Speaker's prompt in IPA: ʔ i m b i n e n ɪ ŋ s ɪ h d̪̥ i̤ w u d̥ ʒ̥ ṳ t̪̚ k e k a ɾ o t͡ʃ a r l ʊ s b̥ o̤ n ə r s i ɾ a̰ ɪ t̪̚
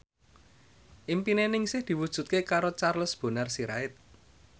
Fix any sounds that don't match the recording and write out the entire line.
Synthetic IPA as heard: ʔ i m p i n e n ɪ ŋ s ɪ h d̪̥ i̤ w u d̥ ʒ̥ ṳ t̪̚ k e k a ɾ o t͡ʃ a r l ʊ s b̥ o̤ n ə r s i ɾ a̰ ɪ t̪̚